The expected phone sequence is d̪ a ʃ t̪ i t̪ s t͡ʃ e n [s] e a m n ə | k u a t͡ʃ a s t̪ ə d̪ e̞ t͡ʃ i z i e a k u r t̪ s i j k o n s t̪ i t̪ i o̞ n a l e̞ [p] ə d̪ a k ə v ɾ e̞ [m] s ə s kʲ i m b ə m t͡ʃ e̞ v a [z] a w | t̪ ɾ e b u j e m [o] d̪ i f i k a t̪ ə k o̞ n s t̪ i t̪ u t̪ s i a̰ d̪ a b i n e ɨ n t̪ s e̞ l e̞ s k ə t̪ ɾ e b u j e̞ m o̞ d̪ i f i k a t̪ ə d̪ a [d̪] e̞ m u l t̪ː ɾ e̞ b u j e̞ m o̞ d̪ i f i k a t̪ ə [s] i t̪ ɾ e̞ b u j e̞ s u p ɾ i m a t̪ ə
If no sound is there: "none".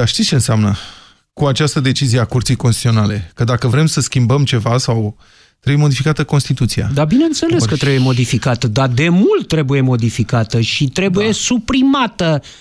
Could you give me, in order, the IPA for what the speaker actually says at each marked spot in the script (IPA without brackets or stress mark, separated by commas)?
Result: s, k, m, s, o, d̪, ʃ